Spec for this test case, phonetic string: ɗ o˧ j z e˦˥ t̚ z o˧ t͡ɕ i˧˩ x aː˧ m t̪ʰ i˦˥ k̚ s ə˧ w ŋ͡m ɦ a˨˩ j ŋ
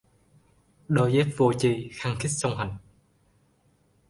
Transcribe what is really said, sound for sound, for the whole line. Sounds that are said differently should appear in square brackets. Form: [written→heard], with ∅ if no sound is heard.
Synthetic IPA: ɗ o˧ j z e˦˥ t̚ [z→v] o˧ t͡ɕ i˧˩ x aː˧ [m→ŋ] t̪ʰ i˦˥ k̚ s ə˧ w ŋ͡m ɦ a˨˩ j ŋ

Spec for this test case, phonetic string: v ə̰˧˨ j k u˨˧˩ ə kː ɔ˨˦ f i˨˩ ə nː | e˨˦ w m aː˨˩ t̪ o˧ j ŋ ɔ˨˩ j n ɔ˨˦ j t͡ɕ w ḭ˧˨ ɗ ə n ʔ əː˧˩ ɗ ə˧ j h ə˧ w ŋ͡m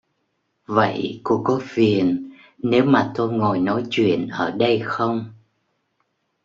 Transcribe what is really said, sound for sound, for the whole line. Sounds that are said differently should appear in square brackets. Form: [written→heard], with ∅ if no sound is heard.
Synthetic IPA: v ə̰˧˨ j k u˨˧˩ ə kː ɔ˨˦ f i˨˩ ə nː | e˨˦ w m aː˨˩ t̪ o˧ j ŋ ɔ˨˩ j n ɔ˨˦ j t͡ɕ w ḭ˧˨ [ɗ→∅] ə n ʔ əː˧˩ ɗ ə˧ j [h→x] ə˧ w ŋ͡m

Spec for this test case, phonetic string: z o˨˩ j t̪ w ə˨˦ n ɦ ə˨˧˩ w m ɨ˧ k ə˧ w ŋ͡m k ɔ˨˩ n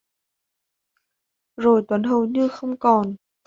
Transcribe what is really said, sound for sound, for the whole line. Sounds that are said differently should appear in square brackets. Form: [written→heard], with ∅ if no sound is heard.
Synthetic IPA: z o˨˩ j t̪ w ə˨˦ n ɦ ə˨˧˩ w [m→ɲ] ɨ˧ [k→x] ə˧ w ŋ͡m k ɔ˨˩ n

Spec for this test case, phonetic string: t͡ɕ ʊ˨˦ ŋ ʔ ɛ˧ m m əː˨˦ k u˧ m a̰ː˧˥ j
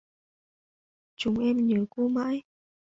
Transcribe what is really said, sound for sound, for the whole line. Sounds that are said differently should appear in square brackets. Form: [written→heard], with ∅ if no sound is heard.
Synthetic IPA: t͡ɕ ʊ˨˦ [ŋ→ŋ͡m] ʔ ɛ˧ m [m→ɲ] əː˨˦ k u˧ m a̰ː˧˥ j

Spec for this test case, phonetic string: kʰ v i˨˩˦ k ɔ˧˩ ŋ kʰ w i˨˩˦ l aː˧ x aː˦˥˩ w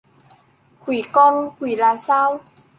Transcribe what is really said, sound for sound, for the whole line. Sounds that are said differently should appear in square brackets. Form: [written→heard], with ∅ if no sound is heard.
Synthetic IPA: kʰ [v→w] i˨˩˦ k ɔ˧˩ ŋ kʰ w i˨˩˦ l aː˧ [x→s] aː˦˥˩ w

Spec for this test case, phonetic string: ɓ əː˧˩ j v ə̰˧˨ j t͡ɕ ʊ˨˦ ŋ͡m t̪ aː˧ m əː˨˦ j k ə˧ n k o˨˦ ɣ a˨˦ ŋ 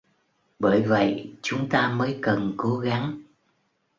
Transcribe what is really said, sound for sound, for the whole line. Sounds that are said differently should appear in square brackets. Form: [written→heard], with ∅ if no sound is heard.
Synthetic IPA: ɓ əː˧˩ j v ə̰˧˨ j t͡ɕ ʊ˨˦ ŋ͡m t̪ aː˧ m əː˨˦ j k [ə˧→ə˨˩] n k o˨˦ ɣ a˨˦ ŋ

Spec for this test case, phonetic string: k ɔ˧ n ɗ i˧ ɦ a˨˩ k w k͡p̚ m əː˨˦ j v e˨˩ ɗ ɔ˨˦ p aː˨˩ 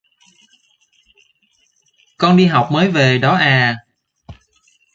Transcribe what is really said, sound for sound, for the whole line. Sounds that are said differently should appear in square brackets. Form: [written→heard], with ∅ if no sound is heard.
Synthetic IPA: k ɔ˧ n ɗ i˧ ɦ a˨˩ [k→∅] w k͡p̚ m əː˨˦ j v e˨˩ ɗ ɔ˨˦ [p→ʔ] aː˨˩

